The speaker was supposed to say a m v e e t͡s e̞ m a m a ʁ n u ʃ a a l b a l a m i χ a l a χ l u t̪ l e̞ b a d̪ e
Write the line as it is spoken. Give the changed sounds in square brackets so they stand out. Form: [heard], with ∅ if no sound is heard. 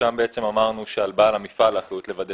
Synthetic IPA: a m [b] e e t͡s e̞ m a m a ʁ n u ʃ [e] a l b a l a m i [f] a l a χ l u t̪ l e̞ [v] a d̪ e